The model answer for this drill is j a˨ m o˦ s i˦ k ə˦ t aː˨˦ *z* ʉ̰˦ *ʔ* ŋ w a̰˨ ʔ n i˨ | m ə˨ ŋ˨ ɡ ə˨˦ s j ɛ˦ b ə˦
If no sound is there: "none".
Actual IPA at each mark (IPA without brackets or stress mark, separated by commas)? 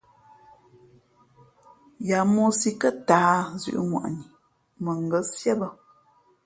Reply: z, ʔ